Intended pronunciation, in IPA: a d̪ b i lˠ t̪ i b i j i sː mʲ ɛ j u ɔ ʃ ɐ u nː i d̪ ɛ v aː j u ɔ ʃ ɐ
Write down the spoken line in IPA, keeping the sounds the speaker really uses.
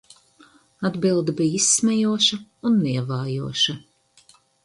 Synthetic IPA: a d̪ b i lˠ d̪ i b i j i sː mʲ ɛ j u ɔ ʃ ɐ u nː i ɛ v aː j u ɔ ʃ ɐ

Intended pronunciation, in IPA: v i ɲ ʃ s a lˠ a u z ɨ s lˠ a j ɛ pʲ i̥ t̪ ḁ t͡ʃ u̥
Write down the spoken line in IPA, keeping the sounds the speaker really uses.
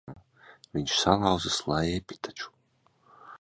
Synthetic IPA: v i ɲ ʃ s a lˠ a w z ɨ s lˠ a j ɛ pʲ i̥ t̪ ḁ t͡ʃ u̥

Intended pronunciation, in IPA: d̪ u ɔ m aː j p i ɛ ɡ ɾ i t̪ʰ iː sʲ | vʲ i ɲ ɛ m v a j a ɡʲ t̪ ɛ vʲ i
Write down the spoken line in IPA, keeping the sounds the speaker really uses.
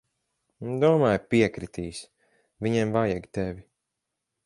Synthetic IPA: d̪ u ɔ m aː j p i ɛ k ɾ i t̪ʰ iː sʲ | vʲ i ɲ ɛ m v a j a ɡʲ t̪ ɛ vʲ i

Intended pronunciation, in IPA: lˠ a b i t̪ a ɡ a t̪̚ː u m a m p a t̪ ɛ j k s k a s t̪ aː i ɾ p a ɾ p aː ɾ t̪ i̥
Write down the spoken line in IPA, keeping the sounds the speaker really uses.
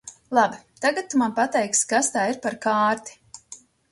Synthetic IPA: lˠ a b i t̪ a ɡ a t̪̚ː u m a n p a t̪ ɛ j k s k a s t̪ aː i ɾ p a ɾ k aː ɾ t̪ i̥

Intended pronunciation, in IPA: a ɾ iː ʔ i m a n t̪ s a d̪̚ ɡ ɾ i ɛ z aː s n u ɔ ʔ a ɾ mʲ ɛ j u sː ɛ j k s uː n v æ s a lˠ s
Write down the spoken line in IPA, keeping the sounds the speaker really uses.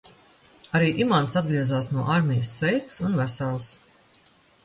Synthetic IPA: a ɾ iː ʔ i m a n t̪ s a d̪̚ ɡ ɾ i ɛ z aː s n u ɔ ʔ a ɾ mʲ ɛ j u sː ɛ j k s u n v æ s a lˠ s

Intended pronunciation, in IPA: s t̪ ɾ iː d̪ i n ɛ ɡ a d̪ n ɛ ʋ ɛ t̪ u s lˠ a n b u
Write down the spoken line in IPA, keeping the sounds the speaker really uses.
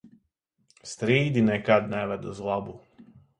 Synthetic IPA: s t̪ ɾ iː d̪ i n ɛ k a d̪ n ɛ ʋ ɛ d̪ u z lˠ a b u

